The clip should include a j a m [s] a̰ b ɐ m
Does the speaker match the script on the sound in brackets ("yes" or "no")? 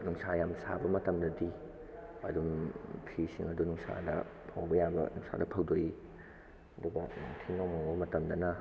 yes